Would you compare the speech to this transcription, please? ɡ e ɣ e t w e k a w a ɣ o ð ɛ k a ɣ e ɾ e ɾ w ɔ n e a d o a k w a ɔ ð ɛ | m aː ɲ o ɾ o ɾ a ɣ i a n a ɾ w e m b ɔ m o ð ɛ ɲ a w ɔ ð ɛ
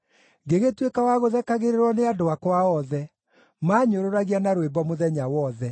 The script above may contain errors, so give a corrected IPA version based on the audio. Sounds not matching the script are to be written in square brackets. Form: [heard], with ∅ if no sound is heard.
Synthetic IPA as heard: ɡ e ɣ e t w e k a w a ɣ o ð ɛ k a ɣ e ɾ e ɾ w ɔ n e a d o a k w a ɔ ð ɛ | m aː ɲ o ɾ o ɾ a ɣ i a n a ɾ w e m b ɔ m o ð ɛ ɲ a w ɔ ð ɛ

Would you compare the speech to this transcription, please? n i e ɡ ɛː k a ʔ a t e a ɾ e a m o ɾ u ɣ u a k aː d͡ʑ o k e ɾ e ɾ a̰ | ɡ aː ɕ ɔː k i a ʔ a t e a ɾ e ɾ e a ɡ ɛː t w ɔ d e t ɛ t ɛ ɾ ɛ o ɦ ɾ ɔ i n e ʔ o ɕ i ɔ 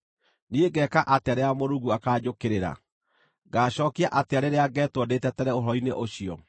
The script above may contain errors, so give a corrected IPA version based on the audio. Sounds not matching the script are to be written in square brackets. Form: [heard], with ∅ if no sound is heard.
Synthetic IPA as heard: n i e ɡ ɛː k a ʔ a t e a ɾ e a m o ɾ u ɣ u a k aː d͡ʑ o k e ɾ e ɾ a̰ | ɡ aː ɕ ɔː k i a ʔ a t e a ɾ e ɾ e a ɡ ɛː t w ɔ d e t ɛ t ɛ ɾ ɛ o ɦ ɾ ɔ i n e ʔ o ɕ i ɔ

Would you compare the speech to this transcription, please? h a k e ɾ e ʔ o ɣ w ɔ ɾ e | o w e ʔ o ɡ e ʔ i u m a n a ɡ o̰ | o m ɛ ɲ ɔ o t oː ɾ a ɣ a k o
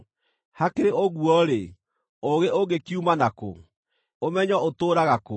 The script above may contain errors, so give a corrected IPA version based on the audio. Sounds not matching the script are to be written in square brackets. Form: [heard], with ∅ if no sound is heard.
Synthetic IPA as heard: h a k e ɾ e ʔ o ɣ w ɔ ɾ e | o [ɣ] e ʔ o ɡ e [k] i u m a n a [k] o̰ | o m ɛ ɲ ɔ o t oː ɾ a ɣ a k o

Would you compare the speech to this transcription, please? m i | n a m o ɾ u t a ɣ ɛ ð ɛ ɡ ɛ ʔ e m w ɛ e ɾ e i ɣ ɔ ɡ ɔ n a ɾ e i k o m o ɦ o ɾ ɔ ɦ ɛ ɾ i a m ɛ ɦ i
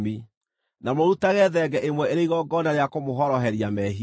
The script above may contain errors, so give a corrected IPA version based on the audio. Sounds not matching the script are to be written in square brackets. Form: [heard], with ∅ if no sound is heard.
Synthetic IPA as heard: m i | n a m o ɾ u t a ɣ ɛ ð ɛ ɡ ɛ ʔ e m w ɛ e ɾ e i ɣ ɔ ɡ ɔ n a ɾ e [a] k o m o ɦ [ɔ] ɾ ɔ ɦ ɛ ɾ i a m ɛ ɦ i

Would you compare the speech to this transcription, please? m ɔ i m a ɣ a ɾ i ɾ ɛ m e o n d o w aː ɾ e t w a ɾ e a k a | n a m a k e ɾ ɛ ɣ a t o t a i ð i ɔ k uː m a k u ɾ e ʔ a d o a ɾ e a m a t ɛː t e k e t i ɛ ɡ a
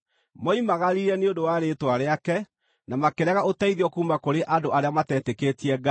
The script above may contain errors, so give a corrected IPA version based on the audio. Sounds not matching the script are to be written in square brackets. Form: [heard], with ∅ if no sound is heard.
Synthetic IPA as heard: m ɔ i m a ɣ a ɾ i ɾ ɛ [n] e o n d o w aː ɾ e t w a ɾ e a k [ɛ] | n a m a k e ɾ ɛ ɣ a [∅] o t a i ð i ɔ k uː m a k [o] ɾ e ʔ a d o a ɾ e a m a t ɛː t e k e t i ɛ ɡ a

